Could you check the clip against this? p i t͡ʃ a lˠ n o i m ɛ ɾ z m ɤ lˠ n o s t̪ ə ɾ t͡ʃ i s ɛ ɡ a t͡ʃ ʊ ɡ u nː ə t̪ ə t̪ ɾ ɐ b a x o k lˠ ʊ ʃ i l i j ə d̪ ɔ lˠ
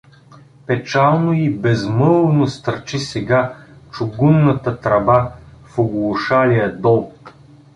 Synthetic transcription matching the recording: p ɛ t͡ʃ a lˠ n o i b ɛ z m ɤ lˠ n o s t̪ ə ɾ t͡ʃ i s ɛ ɡ a t͡ʃ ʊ ɡ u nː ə t̪ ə t̪ ɾ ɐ b a f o ɡ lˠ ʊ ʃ a l i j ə d̪ ɔ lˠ